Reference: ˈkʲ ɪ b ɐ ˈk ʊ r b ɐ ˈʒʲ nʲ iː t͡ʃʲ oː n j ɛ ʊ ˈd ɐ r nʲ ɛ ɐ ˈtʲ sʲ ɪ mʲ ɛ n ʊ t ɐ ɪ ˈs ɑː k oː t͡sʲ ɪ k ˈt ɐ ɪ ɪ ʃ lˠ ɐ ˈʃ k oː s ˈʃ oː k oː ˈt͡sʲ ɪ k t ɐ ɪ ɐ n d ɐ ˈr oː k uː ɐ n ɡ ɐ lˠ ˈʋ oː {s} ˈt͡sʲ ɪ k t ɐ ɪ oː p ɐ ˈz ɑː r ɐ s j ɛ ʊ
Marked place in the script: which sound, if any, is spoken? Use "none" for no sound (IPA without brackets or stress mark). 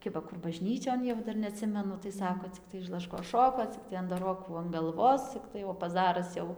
s